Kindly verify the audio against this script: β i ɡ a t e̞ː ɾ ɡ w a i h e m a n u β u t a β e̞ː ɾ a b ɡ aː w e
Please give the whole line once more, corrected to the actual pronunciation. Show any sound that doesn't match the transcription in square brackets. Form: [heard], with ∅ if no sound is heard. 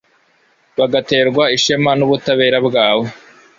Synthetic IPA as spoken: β [a] ɡ a t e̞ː ɾ ɡ w a i [ʃ] e m a n u β u t a β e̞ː ɾ a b ɡ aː w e